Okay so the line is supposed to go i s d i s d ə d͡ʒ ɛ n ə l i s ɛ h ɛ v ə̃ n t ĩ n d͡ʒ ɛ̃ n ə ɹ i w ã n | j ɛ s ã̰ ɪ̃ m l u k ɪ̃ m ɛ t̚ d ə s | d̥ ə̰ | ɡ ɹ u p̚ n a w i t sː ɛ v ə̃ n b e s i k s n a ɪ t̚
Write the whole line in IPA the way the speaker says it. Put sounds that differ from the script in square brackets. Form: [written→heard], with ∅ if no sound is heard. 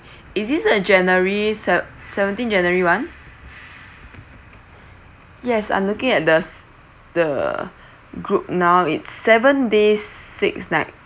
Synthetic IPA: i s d i s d ə d͡ʒ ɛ n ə [l→ɹ] i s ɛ [h→s] ɛ v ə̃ n t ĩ n d͡ʒ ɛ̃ n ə ɹ i w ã n | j ɛ s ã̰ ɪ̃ m l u k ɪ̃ [m→ŋ] ɛ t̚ d ə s | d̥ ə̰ | ɡ ɹ u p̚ n a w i t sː ɛ v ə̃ n [b→d] e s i k s n a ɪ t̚